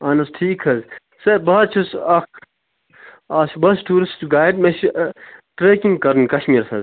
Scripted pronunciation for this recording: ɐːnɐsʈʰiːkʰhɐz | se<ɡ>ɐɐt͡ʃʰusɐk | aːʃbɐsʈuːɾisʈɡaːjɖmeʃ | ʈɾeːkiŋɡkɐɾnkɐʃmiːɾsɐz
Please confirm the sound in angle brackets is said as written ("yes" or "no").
no